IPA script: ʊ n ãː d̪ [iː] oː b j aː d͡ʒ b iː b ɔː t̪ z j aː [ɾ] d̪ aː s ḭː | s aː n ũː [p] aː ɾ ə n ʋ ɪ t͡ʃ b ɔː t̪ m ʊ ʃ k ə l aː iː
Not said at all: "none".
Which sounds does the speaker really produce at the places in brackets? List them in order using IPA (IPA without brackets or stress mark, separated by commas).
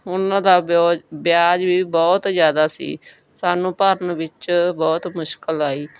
aː, none, p